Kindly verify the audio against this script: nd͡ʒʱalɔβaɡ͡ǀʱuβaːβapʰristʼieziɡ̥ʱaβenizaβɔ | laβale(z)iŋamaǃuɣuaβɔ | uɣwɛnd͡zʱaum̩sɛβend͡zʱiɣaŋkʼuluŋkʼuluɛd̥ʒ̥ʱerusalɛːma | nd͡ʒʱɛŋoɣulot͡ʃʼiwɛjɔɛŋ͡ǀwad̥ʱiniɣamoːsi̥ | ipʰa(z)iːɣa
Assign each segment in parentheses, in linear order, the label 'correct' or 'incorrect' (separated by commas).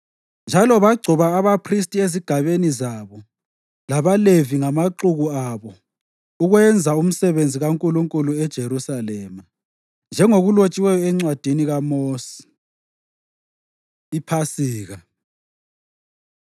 incorrect, incorrect